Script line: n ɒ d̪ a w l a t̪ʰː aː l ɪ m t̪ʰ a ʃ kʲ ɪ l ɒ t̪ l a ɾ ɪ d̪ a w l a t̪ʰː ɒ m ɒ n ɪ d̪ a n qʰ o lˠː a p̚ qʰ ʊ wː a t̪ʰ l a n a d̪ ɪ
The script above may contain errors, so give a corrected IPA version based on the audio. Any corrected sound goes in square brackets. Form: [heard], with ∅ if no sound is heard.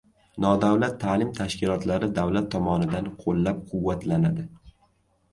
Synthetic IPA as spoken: n ɒ d̪ a w l a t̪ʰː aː l ɪ m t̪ʰ a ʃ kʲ ɪ l ɒ t̪ l a ɾ ɪ d̪ a w l a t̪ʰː ɒ m ɒ n ɪ d̪ a n qʰ o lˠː a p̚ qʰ ʊ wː a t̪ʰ l a n a d̪ ɪ